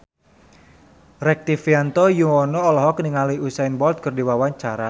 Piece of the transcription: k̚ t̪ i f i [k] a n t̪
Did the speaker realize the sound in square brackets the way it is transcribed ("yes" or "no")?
no